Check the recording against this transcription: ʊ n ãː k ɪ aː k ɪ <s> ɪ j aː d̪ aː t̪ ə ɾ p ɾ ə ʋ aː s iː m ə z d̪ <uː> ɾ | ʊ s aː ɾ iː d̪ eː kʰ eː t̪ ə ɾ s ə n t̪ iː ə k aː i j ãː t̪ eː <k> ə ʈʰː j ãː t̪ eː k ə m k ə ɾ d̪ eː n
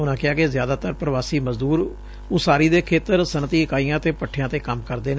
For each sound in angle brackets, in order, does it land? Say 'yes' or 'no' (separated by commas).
no, yes, no